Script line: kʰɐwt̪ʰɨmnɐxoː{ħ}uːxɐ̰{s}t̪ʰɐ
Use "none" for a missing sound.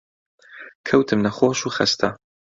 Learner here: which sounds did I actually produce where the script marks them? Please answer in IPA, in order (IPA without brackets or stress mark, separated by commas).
ʃ, s